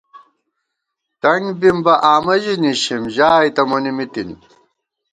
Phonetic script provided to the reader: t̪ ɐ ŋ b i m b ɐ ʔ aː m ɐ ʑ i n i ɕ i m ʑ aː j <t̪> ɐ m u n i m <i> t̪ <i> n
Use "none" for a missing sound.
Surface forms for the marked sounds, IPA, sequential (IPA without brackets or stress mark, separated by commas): t̪, i, i